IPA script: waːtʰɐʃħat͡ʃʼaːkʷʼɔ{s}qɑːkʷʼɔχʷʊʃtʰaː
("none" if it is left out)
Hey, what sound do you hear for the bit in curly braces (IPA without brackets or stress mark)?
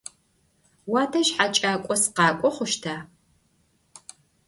s